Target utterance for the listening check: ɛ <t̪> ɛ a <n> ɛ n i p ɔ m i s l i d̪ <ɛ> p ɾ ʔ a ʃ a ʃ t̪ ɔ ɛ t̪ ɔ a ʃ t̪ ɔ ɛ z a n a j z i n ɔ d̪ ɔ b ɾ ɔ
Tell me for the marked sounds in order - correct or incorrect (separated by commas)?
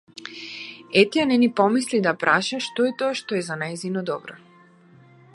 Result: correct, correct, incorrect